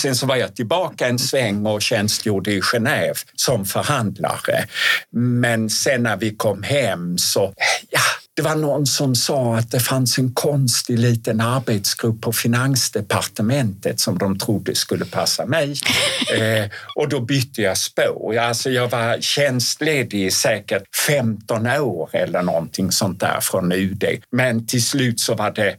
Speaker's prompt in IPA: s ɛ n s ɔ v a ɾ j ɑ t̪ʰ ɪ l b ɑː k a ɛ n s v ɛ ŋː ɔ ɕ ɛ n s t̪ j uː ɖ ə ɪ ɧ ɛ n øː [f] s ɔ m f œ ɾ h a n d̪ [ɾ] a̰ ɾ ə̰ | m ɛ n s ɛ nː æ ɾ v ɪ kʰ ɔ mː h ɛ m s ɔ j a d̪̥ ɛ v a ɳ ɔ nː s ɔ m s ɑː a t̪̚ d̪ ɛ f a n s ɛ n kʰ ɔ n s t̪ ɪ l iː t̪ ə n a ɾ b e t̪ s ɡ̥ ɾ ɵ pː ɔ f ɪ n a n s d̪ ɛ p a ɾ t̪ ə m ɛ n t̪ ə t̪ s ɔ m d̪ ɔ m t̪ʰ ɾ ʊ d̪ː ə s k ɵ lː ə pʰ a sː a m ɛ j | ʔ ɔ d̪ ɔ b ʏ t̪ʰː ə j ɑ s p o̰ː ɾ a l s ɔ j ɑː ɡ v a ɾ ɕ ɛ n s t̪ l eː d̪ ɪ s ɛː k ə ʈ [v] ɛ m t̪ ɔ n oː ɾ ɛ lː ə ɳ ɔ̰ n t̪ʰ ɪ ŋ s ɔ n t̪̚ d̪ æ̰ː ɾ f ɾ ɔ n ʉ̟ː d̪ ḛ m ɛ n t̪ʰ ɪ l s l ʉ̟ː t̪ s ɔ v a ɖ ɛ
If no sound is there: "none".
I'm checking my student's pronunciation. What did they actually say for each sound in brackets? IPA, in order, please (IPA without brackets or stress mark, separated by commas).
v, l, f